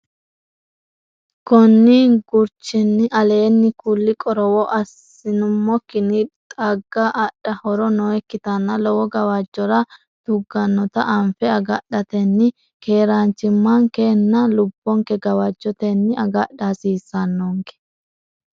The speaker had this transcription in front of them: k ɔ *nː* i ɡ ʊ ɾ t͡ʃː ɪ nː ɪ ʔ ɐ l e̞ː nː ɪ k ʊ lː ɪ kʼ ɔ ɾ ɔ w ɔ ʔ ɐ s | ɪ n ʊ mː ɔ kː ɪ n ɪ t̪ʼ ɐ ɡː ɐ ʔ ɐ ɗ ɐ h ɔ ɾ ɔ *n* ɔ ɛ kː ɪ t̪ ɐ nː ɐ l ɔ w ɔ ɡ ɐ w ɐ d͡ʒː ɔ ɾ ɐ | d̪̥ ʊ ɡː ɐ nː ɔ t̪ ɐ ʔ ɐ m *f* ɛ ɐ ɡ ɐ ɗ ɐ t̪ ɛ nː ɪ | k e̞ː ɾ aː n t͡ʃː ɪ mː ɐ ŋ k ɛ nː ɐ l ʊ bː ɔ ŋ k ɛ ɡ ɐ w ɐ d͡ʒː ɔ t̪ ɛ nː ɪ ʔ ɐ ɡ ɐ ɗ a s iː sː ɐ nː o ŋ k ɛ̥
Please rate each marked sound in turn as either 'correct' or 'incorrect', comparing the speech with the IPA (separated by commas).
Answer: correct, correct, correct